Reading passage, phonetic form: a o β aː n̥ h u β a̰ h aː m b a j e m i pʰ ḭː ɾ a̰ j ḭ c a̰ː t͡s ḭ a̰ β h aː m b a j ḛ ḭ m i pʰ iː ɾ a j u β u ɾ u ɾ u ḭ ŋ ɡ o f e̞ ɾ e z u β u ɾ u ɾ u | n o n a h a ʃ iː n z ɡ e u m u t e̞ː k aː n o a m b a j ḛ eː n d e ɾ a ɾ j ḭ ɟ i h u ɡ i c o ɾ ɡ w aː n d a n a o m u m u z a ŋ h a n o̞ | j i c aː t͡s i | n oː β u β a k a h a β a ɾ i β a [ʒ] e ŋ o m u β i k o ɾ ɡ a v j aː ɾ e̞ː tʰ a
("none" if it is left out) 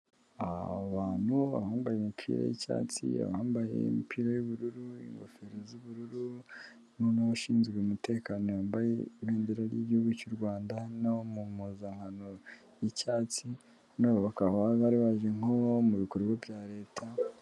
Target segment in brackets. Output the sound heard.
ʒ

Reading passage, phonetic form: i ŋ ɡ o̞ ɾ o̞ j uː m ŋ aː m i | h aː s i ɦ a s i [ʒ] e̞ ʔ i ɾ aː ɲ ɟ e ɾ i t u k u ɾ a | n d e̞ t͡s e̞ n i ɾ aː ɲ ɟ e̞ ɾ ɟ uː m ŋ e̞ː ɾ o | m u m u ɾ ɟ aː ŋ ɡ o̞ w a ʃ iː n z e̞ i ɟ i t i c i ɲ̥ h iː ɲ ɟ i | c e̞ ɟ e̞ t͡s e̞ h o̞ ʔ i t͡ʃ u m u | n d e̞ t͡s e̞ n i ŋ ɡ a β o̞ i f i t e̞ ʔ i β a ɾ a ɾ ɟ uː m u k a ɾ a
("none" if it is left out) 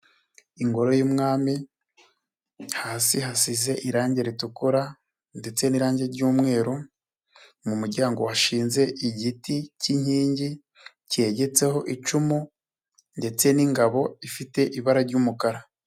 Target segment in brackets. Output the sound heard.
z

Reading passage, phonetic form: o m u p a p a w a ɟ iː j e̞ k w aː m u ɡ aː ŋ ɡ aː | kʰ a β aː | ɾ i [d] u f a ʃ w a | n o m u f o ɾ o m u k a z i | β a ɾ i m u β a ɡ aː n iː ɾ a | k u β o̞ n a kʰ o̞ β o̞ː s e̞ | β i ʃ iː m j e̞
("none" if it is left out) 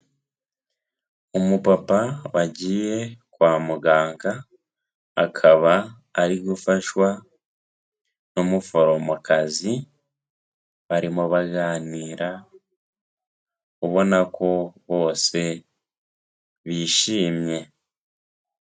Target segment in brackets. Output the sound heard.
ɡ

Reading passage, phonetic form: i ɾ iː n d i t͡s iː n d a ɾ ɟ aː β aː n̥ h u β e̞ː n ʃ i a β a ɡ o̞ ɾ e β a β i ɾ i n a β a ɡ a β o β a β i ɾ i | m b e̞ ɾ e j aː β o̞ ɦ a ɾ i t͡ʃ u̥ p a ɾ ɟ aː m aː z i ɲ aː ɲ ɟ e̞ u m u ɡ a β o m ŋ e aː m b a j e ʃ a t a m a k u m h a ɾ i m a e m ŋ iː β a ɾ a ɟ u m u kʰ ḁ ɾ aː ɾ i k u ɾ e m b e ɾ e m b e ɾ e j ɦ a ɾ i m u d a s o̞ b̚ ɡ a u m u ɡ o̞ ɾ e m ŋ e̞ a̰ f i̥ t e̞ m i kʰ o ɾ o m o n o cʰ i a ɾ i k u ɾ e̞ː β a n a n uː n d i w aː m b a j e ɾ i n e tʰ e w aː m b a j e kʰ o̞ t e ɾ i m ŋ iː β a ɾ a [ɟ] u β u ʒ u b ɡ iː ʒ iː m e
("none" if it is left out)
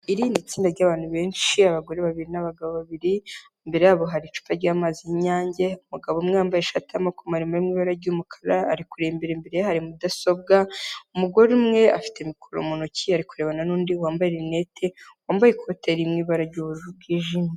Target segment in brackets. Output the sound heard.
ɟ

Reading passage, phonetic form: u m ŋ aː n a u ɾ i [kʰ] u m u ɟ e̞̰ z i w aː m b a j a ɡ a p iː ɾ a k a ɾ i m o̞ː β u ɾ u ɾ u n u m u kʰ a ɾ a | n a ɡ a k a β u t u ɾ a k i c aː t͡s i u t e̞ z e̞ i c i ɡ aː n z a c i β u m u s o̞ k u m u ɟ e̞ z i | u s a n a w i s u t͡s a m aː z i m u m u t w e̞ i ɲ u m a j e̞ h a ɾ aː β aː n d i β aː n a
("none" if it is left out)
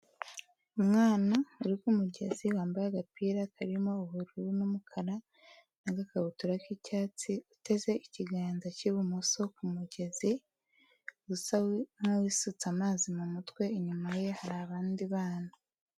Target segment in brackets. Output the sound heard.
k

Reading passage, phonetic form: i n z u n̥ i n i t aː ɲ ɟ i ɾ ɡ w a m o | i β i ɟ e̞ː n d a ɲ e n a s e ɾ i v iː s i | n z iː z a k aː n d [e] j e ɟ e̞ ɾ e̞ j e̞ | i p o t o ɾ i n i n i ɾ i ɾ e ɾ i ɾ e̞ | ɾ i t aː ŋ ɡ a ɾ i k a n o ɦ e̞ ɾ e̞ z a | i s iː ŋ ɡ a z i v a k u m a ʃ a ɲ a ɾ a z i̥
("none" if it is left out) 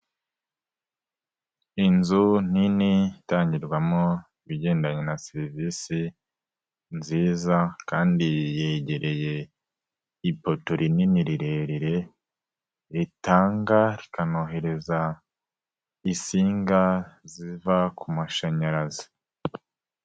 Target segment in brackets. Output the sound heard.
i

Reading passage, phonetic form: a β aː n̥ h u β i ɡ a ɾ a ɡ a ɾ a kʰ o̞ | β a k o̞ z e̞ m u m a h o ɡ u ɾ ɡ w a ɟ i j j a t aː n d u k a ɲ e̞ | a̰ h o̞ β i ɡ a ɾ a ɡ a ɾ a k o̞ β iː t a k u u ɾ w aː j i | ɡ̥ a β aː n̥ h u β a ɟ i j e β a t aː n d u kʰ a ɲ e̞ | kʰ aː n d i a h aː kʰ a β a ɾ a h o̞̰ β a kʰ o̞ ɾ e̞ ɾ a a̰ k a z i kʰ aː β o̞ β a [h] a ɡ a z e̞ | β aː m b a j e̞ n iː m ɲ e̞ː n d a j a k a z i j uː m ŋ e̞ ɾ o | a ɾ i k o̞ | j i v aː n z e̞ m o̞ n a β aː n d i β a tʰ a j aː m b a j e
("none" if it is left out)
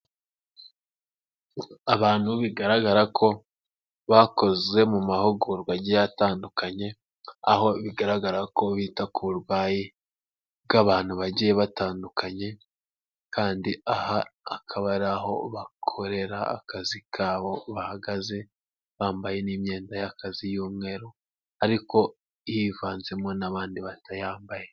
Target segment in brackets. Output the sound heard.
h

